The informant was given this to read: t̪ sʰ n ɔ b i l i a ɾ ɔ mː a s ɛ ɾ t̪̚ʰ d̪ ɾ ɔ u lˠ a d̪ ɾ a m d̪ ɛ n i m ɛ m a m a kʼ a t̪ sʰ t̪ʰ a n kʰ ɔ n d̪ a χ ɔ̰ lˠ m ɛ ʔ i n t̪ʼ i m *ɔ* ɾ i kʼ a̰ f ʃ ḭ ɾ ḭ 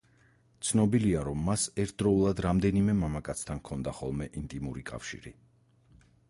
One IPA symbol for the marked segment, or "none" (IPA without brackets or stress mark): u